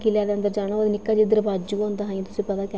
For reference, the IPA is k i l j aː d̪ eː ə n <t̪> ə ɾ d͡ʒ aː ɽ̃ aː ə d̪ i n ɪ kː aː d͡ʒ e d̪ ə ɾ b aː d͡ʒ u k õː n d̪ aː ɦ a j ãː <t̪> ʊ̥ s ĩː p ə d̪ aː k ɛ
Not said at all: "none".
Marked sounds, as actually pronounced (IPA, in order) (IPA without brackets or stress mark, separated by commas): d̪, t̪